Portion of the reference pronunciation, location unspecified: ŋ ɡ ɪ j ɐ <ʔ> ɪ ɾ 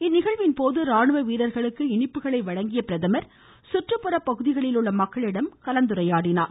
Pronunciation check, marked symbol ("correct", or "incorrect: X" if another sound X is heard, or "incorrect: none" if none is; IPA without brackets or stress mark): incorrect: p